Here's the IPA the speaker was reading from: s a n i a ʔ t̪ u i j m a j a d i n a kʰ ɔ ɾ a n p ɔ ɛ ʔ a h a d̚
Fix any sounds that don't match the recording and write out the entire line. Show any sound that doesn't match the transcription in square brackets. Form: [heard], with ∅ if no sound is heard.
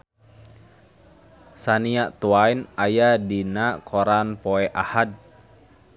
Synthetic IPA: s a n i a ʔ t̪ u [a] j [n] a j a d i n a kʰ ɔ ɾ a n p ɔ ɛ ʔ a h a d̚